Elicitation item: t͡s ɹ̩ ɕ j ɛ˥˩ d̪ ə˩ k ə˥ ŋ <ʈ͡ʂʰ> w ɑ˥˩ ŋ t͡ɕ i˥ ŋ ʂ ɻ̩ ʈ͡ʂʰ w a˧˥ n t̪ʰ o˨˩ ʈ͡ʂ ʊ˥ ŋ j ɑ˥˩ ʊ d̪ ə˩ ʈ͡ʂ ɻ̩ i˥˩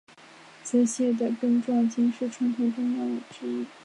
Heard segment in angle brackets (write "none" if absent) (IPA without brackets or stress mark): ʈ͡ʂ